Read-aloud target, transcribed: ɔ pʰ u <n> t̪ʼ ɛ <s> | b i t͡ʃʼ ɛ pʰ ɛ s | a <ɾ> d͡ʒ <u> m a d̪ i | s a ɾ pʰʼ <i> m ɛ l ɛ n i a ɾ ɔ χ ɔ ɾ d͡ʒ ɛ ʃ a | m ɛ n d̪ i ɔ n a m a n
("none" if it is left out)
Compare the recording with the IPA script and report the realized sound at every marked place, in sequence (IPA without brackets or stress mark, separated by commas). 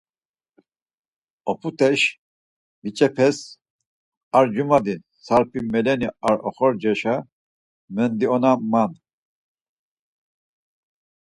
none, ʃ, ɾ, u, i